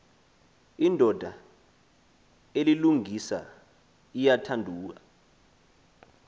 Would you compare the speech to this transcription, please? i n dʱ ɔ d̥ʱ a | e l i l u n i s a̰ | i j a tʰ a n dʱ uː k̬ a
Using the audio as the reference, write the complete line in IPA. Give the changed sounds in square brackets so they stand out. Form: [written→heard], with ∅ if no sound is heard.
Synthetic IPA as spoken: i n dʱ ɔ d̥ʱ a | e l i l u [n→ŋ] i s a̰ | i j a tʰ a n dʱ uː k̬ a

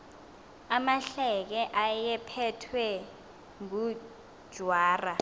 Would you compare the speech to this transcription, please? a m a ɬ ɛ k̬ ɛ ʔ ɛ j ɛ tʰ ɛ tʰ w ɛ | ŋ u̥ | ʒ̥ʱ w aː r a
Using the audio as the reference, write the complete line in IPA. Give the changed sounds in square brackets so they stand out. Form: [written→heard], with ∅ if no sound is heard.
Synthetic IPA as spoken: a m a ɬ ɛ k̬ ɛ ʔ [ɛ→a] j ɛ [tʰ→pʰ] ɛ tʰ w ɛ | ŋ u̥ | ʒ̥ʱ w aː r a

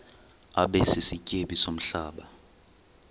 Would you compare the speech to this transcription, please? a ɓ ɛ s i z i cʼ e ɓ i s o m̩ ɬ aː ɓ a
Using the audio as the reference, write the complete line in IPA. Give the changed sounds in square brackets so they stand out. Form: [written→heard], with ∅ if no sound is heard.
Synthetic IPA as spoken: a ɓ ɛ s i [z→s] i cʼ e ɓ i s o m̩ ɬ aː ɓ a

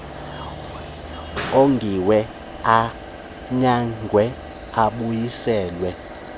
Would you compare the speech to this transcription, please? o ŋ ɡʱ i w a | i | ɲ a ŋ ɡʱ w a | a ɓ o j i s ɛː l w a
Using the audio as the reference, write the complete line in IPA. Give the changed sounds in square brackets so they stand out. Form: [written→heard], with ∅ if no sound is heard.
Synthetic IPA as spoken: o ŋ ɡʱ i w [a→ɛ] | [i→a] | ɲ a ŋ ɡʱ w [a→ɛ] | a ɓ [o→u] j i s ɛː l w [a→ɛ]

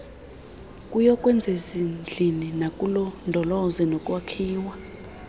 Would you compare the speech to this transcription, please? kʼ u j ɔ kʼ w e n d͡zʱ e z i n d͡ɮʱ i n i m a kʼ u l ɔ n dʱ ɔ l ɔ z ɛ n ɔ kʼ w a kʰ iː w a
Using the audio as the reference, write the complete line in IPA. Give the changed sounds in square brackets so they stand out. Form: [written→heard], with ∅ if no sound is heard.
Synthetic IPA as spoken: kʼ u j ɔ kʼ w [e→ɛ] n d͡zʱ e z i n d͡ɮʱ i n i [m→n] a kʼ u l ɔ n dʱ ɔ l ɔ z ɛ n ɔ kʼ w a kʰ iː w a

